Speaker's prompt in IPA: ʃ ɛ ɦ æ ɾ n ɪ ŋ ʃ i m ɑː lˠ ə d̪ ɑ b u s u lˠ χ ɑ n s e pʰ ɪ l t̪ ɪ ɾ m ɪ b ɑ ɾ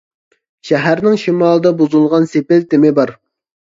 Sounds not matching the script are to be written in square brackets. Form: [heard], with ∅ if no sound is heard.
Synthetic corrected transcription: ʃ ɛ ɦ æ ɾ n ɪ ŋ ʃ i m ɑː lˠ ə d̪ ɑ b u [z] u lˠ [ʁ] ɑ n s e [p] ɪ l t̪ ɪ [∅] m ɪ b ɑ ɾ